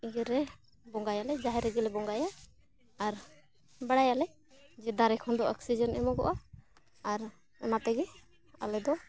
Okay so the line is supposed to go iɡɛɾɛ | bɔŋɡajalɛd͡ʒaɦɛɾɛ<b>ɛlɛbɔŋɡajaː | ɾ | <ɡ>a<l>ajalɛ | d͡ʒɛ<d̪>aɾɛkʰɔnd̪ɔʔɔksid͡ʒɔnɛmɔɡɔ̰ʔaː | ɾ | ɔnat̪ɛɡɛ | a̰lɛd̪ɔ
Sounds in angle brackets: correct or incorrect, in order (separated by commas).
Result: incorrect, incorrect, incorrect, correct